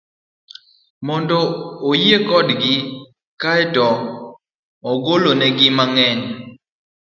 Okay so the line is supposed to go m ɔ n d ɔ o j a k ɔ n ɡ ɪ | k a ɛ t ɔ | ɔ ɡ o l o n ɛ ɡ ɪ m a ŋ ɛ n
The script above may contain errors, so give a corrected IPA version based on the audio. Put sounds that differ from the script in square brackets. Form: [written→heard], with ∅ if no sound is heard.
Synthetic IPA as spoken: m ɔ n d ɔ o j [a→e] k ɔ [n→d] ɡ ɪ | k a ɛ t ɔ | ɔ ɡ o l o n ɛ ɡ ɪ m a ŋ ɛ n